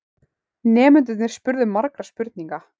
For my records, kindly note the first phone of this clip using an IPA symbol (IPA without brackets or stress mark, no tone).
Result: n